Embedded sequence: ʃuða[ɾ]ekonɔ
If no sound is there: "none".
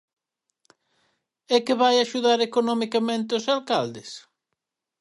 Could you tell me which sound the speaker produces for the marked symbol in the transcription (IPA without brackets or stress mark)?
ɾ